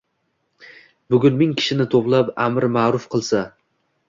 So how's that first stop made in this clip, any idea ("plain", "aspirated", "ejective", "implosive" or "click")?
plain